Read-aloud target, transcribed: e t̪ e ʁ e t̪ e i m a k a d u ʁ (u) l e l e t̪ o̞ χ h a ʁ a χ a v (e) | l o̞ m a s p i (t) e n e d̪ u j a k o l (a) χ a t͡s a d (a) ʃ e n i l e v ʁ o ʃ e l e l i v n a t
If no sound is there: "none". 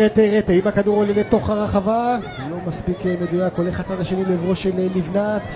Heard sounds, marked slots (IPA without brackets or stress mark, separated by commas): o, a, k, e, a